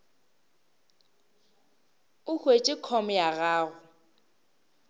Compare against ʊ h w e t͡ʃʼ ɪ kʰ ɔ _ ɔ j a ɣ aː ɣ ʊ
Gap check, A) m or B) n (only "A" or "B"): A